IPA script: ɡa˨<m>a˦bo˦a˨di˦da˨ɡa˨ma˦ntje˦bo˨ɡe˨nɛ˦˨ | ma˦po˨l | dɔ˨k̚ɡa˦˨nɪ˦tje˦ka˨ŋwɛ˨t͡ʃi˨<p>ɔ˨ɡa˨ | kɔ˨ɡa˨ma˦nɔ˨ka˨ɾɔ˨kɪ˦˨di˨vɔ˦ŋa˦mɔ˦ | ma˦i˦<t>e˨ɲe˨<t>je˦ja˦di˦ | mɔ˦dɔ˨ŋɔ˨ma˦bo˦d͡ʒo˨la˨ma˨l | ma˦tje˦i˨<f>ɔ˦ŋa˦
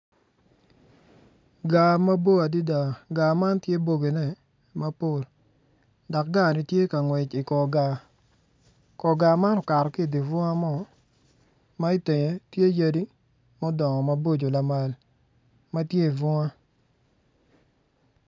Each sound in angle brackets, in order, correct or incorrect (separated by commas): correct, incorrect, correct, correct, incorrect